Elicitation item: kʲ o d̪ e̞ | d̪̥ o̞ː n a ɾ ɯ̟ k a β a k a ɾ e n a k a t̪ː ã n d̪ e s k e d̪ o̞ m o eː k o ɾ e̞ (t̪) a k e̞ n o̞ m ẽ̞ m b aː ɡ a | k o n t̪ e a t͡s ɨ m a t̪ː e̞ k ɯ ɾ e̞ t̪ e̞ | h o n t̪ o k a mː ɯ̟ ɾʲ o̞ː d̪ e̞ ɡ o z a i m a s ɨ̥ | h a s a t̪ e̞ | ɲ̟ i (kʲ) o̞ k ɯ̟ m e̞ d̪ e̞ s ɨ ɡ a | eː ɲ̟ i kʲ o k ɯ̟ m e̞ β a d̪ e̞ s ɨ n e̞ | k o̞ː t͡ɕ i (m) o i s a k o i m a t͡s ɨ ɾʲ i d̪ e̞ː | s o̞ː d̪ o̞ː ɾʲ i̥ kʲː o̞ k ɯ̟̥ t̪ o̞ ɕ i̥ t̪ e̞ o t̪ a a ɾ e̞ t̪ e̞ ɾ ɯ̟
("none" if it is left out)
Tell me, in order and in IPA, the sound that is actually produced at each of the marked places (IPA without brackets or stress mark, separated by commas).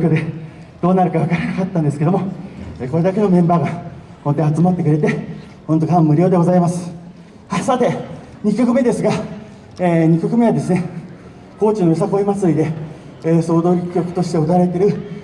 d̪, kʲ, n